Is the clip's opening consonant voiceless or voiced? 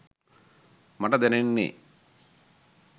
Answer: voiced